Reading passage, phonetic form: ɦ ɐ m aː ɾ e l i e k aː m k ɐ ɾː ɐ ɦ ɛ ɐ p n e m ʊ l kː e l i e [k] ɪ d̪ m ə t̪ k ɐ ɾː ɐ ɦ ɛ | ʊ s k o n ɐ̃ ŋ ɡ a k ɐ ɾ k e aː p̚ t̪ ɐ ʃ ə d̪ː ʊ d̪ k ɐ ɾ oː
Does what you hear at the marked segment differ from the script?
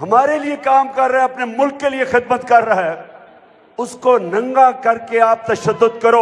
yes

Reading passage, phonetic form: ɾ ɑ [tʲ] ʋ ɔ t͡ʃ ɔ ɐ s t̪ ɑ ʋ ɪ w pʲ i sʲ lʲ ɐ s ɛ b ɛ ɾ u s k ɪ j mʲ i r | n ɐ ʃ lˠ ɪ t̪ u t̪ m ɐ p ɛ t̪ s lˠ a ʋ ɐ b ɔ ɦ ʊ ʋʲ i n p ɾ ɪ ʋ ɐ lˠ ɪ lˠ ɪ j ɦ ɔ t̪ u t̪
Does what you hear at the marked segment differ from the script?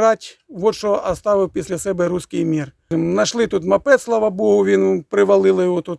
no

